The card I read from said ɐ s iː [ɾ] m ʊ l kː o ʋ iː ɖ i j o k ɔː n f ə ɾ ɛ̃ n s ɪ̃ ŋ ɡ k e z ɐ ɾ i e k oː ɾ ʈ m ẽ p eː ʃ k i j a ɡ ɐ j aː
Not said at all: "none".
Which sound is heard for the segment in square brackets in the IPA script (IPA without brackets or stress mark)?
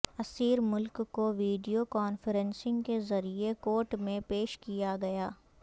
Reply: ɾ